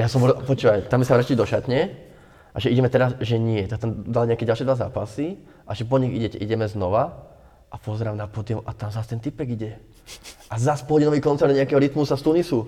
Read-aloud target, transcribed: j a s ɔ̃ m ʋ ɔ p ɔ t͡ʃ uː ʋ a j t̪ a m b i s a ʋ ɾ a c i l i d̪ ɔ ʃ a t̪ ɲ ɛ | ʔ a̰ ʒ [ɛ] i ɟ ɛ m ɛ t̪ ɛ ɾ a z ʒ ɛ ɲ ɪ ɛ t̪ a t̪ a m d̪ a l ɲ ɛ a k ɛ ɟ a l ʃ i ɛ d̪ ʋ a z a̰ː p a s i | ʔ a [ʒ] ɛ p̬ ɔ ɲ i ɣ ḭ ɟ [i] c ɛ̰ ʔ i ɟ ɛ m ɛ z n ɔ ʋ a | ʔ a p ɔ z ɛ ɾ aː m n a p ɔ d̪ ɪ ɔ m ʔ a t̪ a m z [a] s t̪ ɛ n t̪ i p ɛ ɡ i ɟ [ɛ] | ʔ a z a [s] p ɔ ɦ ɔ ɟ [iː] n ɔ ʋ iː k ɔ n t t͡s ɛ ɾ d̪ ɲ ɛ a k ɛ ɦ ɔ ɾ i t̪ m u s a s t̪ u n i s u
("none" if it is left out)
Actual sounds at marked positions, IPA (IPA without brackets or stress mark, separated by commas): ɛ, ʒ, ɛ, a, ɛ, s, i